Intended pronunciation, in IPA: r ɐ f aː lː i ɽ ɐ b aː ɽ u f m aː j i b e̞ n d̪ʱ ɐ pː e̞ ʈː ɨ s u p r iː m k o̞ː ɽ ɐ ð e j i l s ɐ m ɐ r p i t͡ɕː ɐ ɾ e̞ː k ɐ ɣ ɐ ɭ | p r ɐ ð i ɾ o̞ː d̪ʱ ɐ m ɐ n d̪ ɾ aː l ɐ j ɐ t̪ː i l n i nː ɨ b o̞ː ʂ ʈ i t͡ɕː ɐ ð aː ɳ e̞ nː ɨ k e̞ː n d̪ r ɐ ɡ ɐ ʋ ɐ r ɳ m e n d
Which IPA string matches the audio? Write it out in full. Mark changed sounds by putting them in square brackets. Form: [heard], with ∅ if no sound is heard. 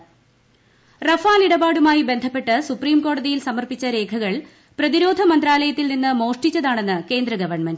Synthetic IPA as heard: r ɐ f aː [l] i ɽ ɐ b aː ɽ u [∅] m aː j i b e̞ n d̪ʱ ɐ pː e̞ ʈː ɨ s u p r iː m k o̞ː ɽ ɐ ð [i] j i l s ɐ m ɐ r p i t͡ɕː ɐ ɾ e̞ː [kʰ] ɐ ɣ ɐ ɭ | p r ɐ ð i ɾ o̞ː d̪ʱ ɐ m ɐ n d̪ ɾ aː l ɐ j ɐ t̪ː i l n i nː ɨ [m] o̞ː ʂ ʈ i t͡ɕː ɐ ð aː ɳ e̞ nː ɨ k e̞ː n d̪ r ɐ ɡ ɐ ʋ ɐ r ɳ m e n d